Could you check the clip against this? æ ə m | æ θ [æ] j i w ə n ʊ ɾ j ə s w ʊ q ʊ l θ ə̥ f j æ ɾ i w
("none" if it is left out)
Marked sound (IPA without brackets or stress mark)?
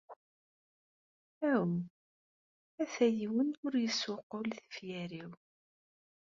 æ